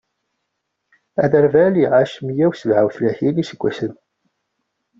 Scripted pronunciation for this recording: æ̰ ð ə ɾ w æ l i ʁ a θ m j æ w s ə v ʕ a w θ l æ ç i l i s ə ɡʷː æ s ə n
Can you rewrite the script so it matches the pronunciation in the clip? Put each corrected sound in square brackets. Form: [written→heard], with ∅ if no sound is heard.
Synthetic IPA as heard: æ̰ ð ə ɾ [w→v] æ l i ʁ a [θ→ʃ] m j æ w s ə v ʕ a w θ l æ ç i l i s ə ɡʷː æ s ə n